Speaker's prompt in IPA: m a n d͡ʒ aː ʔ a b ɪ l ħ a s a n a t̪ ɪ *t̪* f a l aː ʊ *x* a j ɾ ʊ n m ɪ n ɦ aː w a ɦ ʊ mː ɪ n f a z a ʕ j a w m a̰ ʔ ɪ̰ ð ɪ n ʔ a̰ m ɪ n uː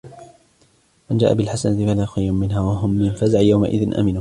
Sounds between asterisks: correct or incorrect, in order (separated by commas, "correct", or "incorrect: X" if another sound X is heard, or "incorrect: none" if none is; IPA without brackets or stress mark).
incorrect: none, correct